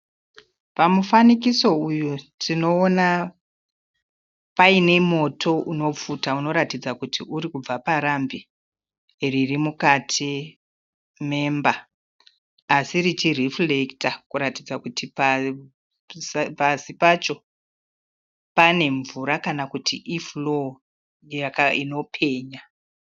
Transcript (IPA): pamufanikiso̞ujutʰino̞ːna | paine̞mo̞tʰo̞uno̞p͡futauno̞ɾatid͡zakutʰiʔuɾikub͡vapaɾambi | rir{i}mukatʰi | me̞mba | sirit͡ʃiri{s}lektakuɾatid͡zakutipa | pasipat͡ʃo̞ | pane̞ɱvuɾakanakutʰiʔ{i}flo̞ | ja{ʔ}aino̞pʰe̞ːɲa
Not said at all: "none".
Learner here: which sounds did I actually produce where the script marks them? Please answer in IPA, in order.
i, f, i, k

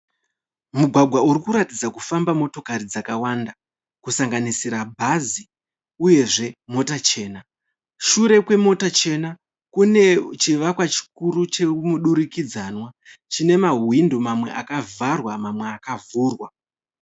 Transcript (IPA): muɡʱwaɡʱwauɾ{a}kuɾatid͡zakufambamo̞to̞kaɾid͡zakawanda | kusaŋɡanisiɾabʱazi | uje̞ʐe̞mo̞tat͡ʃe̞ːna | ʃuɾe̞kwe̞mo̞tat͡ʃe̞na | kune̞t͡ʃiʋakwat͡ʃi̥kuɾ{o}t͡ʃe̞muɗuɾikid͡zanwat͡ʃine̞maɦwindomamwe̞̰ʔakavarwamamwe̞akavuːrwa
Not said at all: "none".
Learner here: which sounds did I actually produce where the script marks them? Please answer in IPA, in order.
i, u

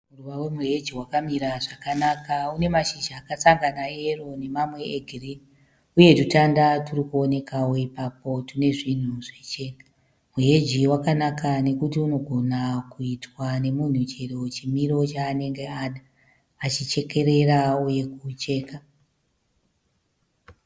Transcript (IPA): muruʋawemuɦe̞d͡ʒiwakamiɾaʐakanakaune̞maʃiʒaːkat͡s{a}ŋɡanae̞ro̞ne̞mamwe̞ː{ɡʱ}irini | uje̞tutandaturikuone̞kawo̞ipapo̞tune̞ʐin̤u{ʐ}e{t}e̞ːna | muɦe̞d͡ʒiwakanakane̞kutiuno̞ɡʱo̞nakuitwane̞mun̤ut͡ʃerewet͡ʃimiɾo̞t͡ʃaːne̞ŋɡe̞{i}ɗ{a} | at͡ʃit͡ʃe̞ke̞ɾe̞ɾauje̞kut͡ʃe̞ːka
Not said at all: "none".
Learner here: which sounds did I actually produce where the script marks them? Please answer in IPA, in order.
a, ɡʱ, ʐ, t͡ʃ, a, a

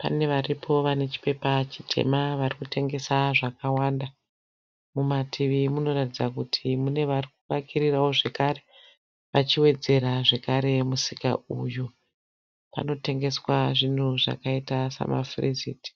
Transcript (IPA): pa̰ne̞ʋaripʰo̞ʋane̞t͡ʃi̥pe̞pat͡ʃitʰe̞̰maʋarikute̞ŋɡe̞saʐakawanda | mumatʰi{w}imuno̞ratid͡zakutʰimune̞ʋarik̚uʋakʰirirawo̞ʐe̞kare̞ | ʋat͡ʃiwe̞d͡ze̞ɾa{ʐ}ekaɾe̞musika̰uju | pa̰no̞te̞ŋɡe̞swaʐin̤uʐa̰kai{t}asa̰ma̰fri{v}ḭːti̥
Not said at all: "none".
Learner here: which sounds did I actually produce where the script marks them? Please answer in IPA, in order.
ʋ, ʐ, t, z

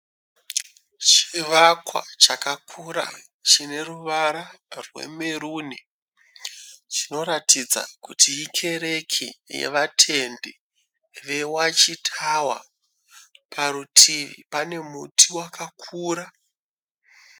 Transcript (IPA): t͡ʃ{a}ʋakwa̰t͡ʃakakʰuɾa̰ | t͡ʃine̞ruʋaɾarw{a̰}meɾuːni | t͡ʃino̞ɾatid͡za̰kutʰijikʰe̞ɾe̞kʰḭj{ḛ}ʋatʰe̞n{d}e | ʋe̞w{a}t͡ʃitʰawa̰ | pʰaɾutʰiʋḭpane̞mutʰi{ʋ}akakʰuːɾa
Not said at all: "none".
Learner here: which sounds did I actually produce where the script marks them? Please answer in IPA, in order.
i, ḛ, ḛ, d, a, w

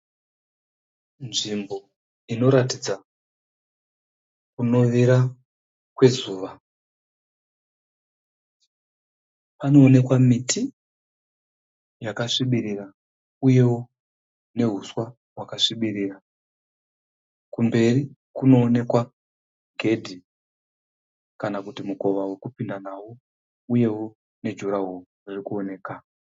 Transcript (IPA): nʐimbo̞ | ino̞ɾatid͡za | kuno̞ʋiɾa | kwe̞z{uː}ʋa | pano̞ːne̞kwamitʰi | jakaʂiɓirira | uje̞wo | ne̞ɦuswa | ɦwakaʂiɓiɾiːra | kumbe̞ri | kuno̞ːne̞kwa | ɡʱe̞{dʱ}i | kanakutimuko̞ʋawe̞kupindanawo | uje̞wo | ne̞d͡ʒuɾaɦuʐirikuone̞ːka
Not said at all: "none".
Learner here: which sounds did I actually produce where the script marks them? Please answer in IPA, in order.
uː, dʱ

